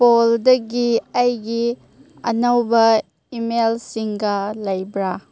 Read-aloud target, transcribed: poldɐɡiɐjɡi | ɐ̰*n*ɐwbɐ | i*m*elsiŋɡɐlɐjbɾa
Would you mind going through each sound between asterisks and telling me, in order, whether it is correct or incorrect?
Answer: correct, correct

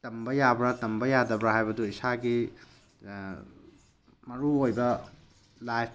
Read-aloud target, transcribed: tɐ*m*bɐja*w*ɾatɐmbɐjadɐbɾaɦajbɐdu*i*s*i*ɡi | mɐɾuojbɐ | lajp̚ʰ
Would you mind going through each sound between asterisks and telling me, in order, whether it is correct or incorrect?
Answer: correct, incorrect: b, correct, incorrect: a

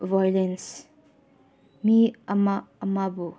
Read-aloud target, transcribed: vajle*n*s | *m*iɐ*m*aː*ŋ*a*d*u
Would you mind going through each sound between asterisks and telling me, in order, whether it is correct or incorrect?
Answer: correct, correct, correct, incorrect: m, incorrect: b

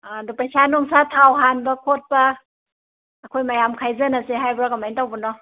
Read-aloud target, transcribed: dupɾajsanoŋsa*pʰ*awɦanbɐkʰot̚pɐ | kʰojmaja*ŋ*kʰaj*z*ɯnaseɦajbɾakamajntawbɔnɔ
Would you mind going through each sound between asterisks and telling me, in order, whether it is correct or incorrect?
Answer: incorrect: tʰ, incorrect: m, correct

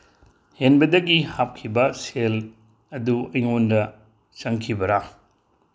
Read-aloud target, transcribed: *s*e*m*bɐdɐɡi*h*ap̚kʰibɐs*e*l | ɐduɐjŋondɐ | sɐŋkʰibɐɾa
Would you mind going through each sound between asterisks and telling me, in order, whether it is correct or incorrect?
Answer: incorrect: h, incorrect: n, correct, correct

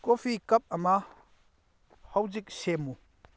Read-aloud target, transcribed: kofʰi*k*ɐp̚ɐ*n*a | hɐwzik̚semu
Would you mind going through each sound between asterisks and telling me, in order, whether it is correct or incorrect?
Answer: correct, incorrect: m

